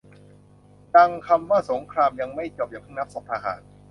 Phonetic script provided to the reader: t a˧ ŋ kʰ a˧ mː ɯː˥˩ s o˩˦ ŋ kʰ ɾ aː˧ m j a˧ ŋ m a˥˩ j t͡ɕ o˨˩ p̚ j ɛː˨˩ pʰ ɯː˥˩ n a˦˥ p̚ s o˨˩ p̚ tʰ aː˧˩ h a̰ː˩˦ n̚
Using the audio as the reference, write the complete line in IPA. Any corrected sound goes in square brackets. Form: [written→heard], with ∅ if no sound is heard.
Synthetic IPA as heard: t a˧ ŋ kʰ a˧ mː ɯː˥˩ s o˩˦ ŋ kʰ ɾ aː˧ m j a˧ ŋ m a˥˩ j t͡ɕ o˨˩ p̚ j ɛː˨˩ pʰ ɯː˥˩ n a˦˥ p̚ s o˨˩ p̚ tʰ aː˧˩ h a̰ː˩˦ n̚